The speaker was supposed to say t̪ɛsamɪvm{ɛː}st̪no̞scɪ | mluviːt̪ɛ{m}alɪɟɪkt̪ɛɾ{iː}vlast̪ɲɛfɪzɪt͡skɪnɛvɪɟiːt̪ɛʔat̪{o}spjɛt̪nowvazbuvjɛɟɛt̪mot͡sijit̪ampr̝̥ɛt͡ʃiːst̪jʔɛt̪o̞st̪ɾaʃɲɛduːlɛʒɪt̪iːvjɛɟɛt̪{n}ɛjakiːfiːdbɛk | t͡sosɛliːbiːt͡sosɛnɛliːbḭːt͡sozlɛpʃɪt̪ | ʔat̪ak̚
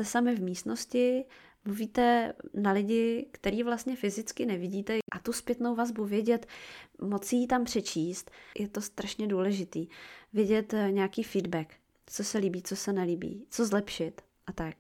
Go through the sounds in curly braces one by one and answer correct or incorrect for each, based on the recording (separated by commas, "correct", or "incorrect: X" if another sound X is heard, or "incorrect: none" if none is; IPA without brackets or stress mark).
incorrect: iː, incorrect: n, correct, incorrect: u, incorrect: ɲ